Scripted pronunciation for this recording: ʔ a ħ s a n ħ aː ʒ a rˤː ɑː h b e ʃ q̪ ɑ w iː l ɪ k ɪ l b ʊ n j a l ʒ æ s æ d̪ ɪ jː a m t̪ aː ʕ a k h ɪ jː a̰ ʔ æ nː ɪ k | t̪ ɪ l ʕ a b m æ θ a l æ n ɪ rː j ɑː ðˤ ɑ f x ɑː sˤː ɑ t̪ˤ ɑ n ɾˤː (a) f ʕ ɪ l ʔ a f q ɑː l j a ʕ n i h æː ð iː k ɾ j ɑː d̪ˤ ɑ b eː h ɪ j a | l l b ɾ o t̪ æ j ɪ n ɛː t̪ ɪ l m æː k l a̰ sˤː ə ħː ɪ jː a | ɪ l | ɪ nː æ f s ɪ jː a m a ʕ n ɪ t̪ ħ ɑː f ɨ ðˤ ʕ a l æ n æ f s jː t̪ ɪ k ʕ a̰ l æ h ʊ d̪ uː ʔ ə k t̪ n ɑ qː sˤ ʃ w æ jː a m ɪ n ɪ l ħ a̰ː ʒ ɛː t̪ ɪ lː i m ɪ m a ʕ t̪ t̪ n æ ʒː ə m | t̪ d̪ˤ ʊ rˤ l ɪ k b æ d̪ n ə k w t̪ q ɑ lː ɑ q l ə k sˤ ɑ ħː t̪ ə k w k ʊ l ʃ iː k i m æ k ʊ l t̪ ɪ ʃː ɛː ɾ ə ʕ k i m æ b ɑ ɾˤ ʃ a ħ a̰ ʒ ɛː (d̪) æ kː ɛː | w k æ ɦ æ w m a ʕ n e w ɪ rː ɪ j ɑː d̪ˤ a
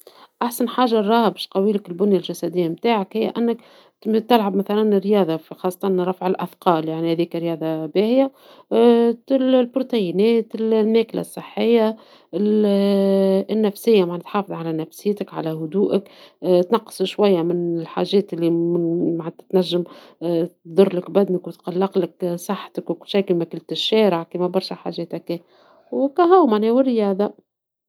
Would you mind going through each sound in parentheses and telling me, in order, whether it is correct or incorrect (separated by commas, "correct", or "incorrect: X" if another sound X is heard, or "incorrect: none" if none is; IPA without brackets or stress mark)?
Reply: incorrect: ɑ, incorrect: t̪